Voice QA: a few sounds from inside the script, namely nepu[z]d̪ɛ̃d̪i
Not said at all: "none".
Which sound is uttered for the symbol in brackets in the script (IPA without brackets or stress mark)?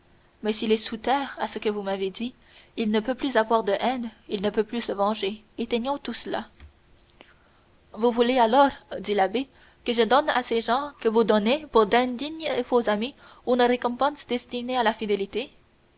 ʁ